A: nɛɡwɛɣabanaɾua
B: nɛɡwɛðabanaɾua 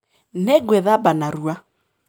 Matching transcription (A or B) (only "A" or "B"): B